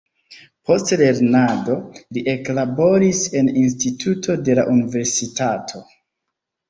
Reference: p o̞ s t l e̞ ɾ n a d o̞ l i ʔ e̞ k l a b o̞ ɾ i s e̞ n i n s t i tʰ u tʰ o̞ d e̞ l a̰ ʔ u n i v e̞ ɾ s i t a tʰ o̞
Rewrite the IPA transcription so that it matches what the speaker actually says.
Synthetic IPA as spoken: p o̞ s t l e̞ ɾ n a d o̞ l i ʔ e̞ k l a b o̞ ɾ i s e̞ n i n s t i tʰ u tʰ o̞ d e̞ l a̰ ʔ u n i v e̞ ɾ s i t a tʰ o̞